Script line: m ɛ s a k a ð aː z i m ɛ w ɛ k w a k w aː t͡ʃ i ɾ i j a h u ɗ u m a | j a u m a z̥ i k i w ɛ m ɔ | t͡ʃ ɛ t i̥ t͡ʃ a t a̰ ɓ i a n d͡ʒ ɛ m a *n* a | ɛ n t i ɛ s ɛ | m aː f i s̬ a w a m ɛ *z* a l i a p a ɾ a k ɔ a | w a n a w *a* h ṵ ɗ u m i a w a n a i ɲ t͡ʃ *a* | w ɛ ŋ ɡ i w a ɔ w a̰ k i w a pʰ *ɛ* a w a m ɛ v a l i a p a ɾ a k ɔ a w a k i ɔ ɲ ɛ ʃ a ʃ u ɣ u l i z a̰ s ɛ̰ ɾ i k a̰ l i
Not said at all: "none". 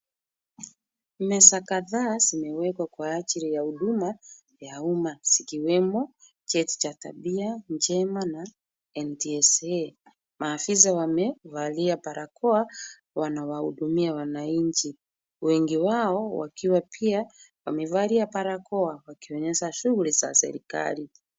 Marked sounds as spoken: n, v, a, i, i

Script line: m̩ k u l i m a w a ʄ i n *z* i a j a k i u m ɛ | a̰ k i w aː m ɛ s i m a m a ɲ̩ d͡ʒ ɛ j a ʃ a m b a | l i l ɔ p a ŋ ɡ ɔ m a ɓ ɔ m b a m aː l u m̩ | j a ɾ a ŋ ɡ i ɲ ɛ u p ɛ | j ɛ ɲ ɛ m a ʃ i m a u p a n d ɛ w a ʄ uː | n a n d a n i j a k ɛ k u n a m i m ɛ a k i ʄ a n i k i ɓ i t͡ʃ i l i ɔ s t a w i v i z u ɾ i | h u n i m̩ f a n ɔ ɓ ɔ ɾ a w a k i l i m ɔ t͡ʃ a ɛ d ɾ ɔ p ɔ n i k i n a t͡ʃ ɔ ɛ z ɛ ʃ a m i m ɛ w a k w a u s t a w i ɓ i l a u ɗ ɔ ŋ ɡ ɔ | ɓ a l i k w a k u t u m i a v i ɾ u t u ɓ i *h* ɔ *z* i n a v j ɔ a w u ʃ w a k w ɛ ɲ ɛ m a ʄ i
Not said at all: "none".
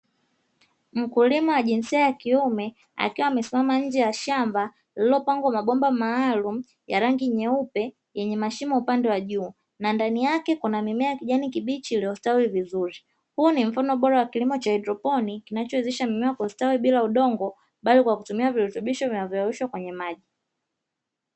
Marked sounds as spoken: s, ʃ, v

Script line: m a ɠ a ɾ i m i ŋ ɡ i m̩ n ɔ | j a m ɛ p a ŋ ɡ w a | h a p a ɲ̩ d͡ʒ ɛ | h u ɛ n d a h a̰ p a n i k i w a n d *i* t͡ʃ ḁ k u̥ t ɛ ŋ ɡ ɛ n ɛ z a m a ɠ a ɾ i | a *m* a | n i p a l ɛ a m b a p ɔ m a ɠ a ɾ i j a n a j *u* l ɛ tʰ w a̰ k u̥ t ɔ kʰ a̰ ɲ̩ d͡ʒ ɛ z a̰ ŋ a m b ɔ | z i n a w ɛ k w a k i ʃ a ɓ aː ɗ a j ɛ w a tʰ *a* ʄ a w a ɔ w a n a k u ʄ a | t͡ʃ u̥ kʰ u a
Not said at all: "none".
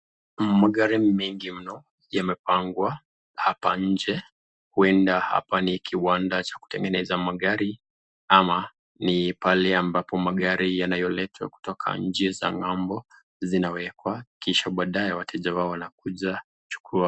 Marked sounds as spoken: a, m, ɔ, ɛ

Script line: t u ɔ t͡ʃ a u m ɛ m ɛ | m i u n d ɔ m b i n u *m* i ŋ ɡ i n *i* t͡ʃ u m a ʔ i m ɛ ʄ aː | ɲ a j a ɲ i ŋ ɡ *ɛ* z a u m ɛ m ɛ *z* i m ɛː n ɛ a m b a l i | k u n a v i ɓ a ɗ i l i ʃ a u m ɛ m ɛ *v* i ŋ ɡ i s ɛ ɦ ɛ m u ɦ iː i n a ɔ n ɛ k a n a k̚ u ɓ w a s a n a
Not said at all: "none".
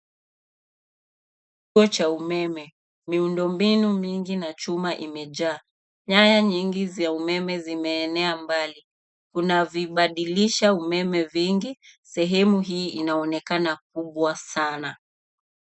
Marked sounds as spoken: m, a, i, z, v

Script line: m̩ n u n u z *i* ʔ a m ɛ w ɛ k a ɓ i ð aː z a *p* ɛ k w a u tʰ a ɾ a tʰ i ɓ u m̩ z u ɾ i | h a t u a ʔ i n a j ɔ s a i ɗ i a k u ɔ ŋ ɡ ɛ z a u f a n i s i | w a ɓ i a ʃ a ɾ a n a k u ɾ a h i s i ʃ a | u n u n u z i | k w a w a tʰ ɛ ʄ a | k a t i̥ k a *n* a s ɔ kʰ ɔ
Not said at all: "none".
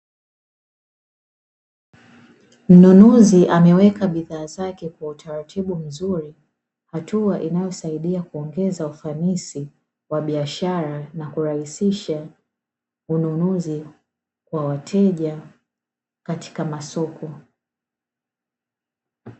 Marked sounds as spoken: i, k, m

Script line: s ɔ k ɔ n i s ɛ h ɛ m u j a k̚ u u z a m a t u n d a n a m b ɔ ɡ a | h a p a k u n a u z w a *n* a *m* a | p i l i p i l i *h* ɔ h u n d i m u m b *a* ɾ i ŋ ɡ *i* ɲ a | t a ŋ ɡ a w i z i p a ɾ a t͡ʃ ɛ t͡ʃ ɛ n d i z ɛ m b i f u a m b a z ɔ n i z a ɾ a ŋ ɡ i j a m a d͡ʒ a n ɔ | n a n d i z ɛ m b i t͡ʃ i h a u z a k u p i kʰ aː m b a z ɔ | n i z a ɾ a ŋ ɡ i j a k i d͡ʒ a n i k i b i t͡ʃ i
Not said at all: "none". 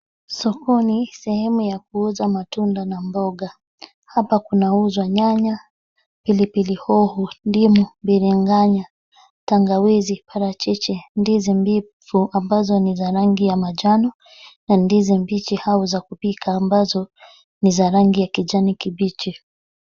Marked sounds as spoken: ɲ, ɲ, h, i, a

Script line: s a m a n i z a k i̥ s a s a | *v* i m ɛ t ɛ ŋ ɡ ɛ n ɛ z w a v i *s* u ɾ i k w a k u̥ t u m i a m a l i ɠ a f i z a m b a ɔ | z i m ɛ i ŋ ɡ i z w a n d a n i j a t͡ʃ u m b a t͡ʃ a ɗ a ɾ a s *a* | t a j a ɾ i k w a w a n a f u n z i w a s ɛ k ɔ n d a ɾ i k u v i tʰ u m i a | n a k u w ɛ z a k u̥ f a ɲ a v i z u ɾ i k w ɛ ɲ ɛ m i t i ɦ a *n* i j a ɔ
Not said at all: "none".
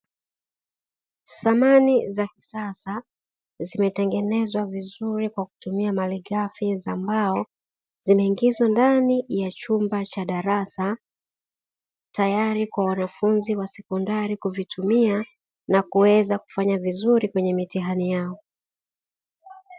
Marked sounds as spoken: z, z, a, n

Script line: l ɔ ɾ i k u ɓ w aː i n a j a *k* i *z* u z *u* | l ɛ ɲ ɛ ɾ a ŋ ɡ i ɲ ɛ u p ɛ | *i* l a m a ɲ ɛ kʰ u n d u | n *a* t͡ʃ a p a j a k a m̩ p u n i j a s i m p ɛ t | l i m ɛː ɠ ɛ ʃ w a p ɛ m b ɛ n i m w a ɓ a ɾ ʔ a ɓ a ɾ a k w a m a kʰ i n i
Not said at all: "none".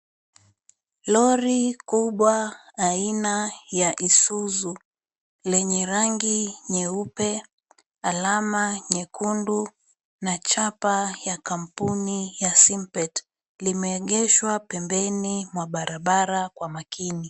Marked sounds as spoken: ʔ, s, u, a, a

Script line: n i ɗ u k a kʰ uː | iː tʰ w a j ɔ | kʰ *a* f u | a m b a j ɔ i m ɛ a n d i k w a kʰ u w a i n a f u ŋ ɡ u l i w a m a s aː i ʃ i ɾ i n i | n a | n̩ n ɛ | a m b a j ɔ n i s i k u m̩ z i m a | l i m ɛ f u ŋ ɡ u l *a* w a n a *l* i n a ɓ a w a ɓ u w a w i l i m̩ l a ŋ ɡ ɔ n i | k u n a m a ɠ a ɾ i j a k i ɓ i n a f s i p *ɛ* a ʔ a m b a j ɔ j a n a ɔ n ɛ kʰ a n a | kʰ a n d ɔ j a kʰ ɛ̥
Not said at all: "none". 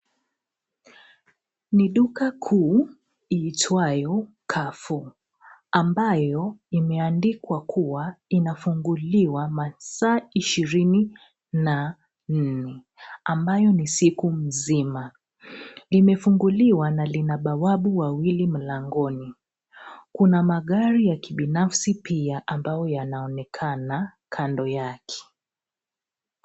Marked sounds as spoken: a, i, l, i

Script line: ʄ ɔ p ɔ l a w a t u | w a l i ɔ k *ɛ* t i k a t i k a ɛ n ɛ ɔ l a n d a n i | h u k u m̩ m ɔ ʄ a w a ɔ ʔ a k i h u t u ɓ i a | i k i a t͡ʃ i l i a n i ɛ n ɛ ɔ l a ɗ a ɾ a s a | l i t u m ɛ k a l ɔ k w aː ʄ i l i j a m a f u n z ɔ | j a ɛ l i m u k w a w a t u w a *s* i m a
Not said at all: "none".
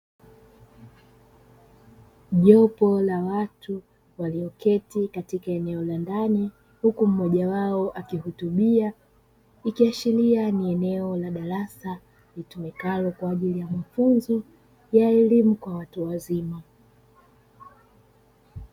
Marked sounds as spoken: ɛ, z

